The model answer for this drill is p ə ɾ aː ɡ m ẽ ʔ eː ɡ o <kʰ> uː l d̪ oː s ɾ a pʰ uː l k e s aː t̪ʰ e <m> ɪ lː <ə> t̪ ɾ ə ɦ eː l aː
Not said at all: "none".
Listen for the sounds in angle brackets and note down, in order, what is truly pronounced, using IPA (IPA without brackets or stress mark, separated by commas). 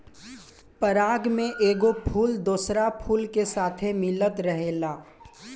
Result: pʰ, m, ə